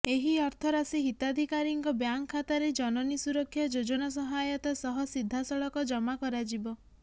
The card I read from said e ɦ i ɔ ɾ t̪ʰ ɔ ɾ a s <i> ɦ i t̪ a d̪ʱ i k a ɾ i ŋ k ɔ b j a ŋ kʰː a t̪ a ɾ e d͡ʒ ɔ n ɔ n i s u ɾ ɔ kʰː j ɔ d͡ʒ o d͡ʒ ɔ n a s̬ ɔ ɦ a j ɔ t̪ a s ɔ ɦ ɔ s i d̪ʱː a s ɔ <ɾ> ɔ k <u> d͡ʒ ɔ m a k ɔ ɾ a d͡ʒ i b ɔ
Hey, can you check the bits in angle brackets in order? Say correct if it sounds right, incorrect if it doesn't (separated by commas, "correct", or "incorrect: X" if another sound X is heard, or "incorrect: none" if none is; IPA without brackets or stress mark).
correct, incorrect: ɭ, incorrect: ɔ